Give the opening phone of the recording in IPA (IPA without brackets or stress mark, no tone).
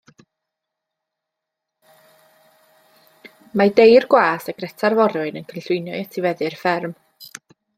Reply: m